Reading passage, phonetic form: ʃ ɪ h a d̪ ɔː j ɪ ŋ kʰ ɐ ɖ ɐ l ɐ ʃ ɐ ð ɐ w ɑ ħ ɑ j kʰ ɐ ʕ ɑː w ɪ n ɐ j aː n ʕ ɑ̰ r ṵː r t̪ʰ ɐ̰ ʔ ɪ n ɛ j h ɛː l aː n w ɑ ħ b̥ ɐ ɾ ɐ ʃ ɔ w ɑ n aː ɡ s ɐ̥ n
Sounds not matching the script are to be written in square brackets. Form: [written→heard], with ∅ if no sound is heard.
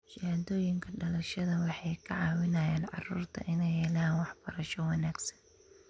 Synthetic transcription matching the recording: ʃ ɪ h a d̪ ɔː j ɪ ŋ kʰ ɐ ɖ ɐ l ɐ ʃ ɐ ð ɐ w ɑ ħ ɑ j kʰ ɐ ʕ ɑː w ɪ n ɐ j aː n ʕ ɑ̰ r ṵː r t̪ʰ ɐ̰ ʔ ɪ n ɛ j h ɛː l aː n w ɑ ħ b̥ ɐ ɾ ɐ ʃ ɔ w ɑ n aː ɡ s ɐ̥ n

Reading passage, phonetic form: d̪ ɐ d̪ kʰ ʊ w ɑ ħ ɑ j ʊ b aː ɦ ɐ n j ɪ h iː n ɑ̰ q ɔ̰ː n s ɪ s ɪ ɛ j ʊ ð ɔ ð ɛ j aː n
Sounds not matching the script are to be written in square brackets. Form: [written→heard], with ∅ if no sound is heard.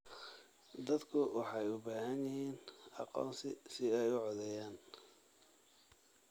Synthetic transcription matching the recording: d̪ ɐ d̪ kʰ ʊ w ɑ ħ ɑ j ʊ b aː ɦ ɐ n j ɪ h iː n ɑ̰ q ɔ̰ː n s ɪ s ɪ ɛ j ʊ [ð→ʕ] ɔ ð ɛ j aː n

